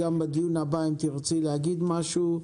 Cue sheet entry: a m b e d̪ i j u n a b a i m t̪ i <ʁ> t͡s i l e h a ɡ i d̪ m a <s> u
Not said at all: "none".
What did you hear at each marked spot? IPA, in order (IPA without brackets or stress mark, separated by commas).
ʁ, ʃ